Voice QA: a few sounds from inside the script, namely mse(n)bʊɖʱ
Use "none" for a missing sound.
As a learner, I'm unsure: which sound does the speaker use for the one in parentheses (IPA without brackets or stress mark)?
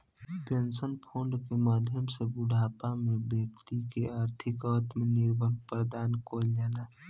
none